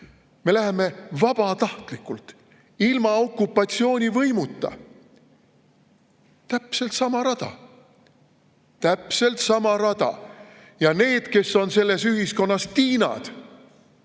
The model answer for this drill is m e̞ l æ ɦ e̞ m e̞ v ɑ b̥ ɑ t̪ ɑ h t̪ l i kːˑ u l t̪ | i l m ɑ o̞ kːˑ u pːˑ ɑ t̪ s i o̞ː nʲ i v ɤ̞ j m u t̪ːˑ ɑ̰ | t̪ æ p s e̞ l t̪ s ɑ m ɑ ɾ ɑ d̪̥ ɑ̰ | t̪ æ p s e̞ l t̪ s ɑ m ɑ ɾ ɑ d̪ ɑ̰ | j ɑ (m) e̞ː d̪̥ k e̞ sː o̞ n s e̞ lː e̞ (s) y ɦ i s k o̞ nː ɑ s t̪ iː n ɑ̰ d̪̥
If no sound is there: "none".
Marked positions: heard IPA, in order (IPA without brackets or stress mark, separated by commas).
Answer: n, s